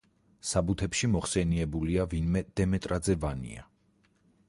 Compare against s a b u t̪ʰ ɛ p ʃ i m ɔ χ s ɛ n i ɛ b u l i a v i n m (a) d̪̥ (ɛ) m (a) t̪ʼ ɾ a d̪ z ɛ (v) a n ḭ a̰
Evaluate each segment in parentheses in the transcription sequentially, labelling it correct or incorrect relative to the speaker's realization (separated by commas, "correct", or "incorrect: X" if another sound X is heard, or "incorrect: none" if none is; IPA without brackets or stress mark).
incorrect: ɛ, correct, incorrect: ɛ, correct